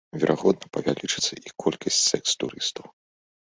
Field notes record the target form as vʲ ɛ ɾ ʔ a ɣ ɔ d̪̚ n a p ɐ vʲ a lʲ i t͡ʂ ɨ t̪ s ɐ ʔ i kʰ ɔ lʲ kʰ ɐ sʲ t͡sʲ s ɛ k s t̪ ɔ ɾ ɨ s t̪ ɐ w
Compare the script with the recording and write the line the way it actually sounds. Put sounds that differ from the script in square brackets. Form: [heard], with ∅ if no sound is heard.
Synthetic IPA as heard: vʲ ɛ ɾ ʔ a ɣ ɔ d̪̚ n [ɐ] p ɐ vʲ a lʲ i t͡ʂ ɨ t̪ s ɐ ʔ i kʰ ɔ lʲ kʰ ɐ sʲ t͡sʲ s ɛ k s t̪ [u] ɾ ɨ s t̪ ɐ w